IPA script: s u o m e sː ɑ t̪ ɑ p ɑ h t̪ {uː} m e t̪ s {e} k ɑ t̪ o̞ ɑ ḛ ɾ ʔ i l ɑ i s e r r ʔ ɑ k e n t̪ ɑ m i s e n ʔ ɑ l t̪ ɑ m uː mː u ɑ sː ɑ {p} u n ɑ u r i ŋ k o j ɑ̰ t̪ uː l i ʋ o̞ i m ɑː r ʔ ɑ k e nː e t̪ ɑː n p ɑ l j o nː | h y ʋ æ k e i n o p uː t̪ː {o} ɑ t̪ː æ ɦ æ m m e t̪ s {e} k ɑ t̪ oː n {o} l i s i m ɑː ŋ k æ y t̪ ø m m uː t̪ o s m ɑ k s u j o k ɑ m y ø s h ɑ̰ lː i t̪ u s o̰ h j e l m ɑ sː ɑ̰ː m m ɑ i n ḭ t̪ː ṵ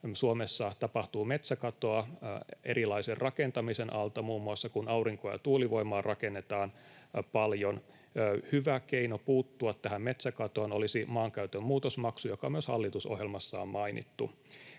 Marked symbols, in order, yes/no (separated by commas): yes, no, no, no, no, yes